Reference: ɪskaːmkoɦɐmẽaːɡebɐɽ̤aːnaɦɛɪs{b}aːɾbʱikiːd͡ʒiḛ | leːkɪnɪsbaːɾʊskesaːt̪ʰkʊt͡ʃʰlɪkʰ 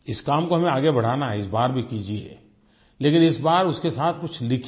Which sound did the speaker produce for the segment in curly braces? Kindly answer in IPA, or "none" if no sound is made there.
b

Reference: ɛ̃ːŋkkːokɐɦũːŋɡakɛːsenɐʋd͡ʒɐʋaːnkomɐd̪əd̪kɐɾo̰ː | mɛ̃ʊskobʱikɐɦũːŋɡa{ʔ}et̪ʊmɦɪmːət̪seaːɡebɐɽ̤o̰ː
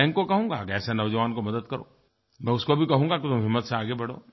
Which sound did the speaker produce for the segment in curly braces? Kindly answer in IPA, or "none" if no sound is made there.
k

